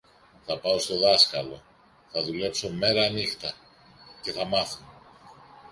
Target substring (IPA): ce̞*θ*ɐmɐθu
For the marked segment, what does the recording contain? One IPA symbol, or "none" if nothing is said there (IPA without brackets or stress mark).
θ